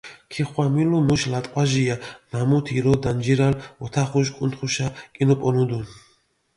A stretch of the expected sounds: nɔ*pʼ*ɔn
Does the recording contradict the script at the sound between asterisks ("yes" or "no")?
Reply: no